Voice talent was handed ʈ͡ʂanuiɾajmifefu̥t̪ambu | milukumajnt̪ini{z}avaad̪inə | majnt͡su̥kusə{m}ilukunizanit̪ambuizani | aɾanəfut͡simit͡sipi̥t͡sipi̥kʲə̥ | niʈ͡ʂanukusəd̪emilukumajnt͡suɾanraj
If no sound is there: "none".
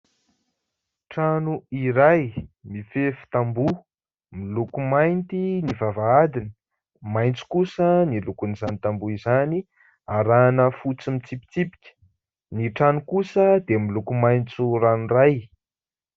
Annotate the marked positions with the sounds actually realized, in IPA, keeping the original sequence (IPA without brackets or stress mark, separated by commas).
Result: v, n